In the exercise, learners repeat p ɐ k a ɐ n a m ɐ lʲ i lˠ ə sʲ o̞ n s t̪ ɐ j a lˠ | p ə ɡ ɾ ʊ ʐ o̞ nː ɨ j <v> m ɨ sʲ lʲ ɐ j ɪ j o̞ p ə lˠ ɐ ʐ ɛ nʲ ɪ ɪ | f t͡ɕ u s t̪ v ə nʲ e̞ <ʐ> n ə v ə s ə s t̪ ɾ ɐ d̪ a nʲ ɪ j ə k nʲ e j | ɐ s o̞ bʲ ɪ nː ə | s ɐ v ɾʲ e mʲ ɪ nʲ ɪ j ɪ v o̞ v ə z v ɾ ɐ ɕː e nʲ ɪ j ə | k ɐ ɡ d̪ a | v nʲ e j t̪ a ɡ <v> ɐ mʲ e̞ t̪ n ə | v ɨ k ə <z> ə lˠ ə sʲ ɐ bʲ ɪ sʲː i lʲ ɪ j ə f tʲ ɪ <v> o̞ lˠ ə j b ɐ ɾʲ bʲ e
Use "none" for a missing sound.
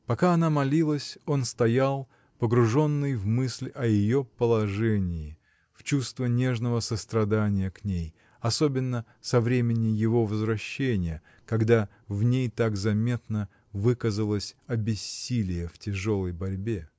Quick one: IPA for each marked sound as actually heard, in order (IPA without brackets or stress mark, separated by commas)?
v, ʐ, z, z, ʐ